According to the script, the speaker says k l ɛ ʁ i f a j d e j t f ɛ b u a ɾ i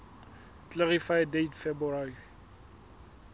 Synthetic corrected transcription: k l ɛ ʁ i f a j d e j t f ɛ b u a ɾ i